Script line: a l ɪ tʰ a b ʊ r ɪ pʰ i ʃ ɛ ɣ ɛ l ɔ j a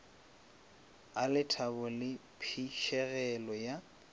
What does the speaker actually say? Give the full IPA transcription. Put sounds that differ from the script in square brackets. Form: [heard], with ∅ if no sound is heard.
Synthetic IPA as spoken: a l ɪ tʰ a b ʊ [l] ɪ pʰ i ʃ ɛ ɣ ɛ l ɔ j a